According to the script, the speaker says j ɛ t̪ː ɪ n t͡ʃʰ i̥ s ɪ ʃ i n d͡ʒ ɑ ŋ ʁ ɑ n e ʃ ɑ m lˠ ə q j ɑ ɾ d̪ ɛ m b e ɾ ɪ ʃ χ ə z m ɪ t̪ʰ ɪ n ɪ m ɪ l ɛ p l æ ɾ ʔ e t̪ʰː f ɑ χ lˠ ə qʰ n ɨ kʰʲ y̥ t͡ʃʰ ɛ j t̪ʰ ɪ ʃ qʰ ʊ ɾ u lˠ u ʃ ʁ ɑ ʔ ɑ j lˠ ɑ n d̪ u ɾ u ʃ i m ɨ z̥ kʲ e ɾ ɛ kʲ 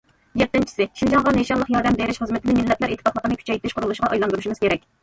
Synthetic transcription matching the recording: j ɛ t̪ː ɪ n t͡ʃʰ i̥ s ɪ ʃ i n d͡ʒ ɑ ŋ ʁ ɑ n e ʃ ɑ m lˠ ə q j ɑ ɾ d̪ ɛ m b e ɾ ɪ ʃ χ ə z m ɪ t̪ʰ ɪ n ɪ m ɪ lː ɛ p l æ ɾ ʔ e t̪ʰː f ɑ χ lˠ ə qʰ n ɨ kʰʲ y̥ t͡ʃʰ ɛ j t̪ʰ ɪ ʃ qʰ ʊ ɾ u lˠ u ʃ ʁ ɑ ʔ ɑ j lˠ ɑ n d̪ u ɾ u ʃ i m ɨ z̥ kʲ e ɾ ɛ kʲ